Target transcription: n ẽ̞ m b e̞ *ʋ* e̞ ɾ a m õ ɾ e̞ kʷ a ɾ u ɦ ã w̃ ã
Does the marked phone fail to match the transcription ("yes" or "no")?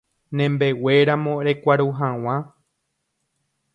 yes